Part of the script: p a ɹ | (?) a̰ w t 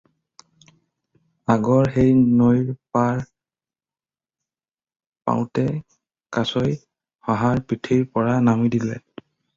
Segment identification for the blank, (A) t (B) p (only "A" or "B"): B